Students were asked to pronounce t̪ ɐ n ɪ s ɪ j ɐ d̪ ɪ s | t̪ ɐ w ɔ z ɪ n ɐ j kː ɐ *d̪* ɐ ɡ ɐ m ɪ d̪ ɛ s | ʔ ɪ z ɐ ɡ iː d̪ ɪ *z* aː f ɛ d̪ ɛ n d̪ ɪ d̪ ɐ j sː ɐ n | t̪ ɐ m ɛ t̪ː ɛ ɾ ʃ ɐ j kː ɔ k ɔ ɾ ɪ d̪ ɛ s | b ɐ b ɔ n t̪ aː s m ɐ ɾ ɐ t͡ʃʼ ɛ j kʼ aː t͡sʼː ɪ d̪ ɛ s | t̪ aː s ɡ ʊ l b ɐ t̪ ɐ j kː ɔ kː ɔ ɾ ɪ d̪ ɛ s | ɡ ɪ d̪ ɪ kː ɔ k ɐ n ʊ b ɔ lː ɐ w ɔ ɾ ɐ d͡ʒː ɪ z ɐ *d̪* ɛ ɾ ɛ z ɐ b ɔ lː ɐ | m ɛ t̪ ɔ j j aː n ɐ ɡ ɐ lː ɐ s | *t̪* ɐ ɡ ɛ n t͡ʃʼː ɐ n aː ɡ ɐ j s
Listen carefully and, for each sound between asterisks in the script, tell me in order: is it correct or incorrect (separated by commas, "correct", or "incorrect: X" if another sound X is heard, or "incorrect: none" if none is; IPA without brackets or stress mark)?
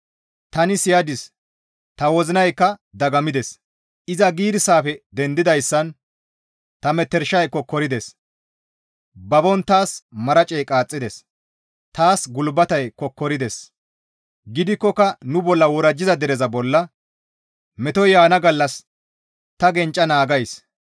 correct, incorrect: s, correct, correct